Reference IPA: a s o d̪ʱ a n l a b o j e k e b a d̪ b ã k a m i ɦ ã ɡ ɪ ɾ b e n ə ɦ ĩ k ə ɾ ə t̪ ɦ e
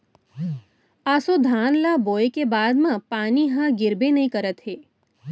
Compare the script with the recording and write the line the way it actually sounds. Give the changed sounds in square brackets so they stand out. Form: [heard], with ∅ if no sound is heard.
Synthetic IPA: a s o d̪ʱ a n l a b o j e k e b a d̪ [m] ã [p] a [n] i ɦ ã ɡ ɪ ɾ b e n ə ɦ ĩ k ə ɾ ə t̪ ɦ e